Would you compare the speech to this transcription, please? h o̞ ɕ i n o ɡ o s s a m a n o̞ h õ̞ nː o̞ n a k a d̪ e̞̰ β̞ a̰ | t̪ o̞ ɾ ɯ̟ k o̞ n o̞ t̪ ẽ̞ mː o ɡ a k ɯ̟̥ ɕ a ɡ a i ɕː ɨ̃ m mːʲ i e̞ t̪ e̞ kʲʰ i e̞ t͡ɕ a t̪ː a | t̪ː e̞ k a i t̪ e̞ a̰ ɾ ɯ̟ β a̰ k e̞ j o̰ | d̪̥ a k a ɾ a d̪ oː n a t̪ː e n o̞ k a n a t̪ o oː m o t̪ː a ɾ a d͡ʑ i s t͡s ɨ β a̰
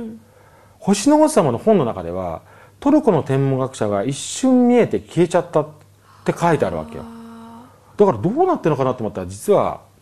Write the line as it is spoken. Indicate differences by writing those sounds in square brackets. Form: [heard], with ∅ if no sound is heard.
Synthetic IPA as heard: h o̞ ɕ i n o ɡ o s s a m a n o̞ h õ̞ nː o̞ n a k a d̪ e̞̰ β̞ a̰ | t̪ o̞ ɾ ɯ̟ k o̞ n o̞ t̪ ẽ̞ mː o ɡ a k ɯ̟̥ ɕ a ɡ a i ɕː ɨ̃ m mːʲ i e̞ t̪ e̞ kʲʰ i e̞ t͡ɕ a t̪ː a | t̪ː e̞ k a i t̪ e̞ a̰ ɾ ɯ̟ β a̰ k e̞ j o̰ | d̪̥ a k a ɾ a d̪ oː n a t̪ː e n o̞ k a n a t̪ o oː m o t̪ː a ɾ a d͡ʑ i [∅] t͡s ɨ β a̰